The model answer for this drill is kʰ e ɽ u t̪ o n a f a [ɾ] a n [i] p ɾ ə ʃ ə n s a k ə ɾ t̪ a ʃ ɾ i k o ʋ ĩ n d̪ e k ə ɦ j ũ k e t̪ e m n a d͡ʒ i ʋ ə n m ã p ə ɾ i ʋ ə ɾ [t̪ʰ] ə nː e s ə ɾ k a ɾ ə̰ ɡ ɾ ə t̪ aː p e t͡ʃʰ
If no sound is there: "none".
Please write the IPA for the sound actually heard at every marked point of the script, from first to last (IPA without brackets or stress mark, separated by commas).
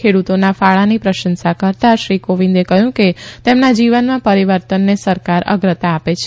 ɭ, i, t̪